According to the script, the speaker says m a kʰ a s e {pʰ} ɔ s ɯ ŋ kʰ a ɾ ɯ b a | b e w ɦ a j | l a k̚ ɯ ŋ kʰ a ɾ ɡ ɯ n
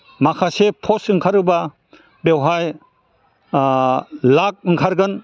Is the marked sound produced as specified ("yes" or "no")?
yes